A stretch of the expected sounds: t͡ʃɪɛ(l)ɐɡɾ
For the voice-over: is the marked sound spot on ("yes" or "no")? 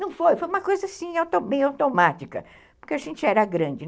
no